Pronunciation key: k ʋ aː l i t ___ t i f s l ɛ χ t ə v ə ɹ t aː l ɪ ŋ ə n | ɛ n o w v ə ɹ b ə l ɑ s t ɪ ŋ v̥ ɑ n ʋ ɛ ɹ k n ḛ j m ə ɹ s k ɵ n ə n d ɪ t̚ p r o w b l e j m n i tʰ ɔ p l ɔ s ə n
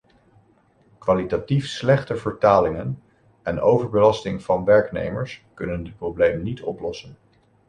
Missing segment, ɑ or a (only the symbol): a